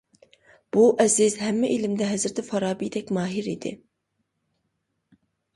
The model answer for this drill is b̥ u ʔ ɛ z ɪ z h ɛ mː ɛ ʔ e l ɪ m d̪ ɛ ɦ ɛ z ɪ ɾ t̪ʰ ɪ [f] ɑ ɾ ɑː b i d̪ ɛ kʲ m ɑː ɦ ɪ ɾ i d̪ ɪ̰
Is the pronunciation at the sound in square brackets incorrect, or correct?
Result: correct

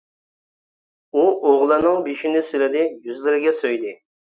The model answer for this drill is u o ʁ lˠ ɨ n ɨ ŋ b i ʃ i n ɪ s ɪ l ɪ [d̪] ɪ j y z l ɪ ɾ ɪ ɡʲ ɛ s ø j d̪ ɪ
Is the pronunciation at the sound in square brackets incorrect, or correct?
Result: correct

